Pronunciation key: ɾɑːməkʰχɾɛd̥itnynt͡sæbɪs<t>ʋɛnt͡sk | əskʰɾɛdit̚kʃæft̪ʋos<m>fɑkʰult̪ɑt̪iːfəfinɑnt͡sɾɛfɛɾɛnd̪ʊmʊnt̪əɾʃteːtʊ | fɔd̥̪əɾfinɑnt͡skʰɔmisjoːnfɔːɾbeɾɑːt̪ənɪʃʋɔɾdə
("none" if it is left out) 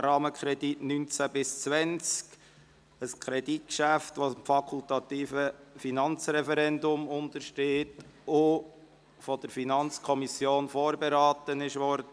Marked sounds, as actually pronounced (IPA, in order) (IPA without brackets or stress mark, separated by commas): t͡s, m